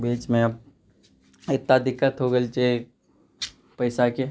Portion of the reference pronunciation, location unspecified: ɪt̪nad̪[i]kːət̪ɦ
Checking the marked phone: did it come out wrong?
yes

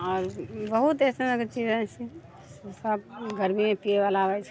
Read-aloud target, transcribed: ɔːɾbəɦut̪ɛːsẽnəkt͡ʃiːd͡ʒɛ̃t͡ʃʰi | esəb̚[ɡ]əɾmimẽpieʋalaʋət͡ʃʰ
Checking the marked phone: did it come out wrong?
no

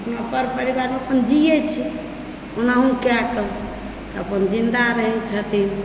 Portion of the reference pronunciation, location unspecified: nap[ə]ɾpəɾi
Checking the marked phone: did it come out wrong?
no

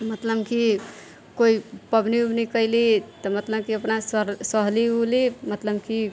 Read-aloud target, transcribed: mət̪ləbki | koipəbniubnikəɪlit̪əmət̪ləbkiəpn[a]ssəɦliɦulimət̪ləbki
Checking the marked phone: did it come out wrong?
no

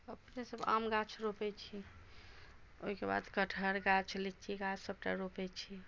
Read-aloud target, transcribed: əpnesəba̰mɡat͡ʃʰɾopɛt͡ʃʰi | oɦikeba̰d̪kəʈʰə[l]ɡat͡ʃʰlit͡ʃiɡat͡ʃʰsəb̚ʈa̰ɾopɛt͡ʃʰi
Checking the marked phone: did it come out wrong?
yes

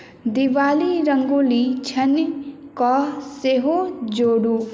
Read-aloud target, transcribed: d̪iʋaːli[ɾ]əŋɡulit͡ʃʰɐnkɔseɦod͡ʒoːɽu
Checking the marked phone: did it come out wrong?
no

